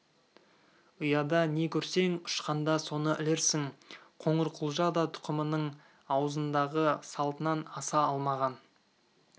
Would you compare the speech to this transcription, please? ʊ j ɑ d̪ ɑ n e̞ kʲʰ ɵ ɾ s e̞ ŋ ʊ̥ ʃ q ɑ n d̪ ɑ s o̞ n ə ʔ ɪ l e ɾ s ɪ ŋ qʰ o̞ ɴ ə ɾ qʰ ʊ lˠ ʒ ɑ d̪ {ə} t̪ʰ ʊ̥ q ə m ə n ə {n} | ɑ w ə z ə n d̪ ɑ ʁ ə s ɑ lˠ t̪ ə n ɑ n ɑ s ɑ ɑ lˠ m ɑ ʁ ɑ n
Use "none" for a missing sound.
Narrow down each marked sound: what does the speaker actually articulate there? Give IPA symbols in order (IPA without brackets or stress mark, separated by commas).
ɑ, ɴ